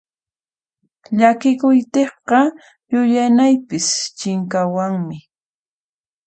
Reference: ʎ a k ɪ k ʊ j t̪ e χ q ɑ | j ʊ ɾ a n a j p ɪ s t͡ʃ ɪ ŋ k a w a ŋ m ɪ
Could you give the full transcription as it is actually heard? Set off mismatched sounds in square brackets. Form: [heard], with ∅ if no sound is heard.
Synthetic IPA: ʎ a k ɪ k ʊ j t̪ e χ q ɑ | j ʊ [ʎ] a n a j p ɪ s t͡ʃ ɪ ŋ k a w a ŋ m ɪ